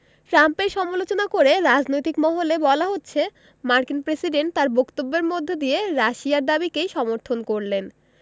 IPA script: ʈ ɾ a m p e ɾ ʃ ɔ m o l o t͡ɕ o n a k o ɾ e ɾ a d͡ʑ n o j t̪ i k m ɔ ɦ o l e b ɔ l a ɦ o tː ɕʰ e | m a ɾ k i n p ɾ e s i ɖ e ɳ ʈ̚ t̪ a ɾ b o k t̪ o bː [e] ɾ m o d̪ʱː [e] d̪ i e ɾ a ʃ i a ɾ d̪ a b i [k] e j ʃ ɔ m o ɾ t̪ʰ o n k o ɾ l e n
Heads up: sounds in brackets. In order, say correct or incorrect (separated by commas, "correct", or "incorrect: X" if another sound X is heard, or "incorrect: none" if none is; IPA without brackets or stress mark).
correct, correct, correct